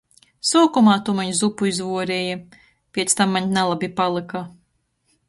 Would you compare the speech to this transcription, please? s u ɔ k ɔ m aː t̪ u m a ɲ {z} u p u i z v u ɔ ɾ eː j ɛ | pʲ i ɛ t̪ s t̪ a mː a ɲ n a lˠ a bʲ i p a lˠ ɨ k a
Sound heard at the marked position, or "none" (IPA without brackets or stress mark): z